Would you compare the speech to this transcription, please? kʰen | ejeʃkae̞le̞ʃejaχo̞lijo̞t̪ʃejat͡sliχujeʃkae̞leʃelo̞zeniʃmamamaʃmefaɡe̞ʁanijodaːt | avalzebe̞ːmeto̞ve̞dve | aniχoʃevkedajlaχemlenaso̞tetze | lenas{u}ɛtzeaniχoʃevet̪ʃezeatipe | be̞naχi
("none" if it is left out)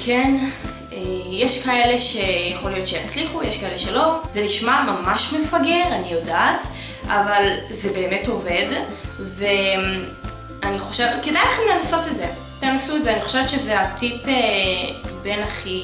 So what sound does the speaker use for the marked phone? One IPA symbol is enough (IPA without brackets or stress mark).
u